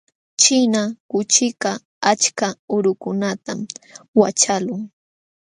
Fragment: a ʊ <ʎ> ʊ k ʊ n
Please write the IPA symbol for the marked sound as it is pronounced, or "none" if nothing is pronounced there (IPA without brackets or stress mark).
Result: ɾ